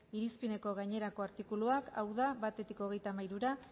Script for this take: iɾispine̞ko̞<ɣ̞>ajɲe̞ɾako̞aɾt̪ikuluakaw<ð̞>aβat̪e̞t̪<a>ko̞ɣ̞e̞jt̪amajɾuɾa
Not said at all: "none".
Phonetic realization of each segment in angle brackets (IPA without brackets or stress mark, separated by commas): ɣ̞, ð̞, i